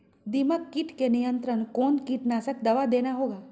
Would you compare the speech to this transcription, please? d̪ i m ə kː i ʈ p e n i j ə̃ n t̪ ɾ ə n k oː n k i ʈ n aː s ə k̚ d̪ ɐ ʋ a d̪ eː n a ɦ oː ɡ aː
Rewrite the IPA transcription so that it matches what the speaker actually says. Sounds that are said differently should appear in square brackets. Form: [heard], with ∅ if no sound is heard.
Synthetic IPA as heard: d̪ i m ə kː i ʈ [k] e n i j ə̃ n t̪ ɾ ə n k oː n k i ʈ n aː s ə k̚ d̪ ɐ ʋ a d̪ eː n a ɦ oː ɡ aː